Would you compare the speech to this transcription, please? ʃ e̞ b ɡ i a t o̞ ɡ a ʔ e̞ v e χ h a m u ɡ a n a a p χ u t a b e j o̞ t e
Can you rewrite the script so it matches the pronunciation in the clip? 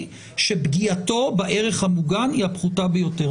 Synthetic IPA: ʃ e̞ b ɡ i a t o̞ b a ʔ e̞ ʁ e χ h a m u ɡ a n i a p χ u t a b e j o̞ t e